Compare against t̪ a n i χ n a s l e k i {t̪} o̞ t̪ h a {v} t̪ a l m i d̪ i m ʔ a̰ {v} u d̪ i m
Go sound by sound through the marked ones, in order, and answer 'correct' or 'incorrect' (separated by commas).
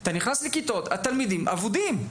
correct, incorrect, correct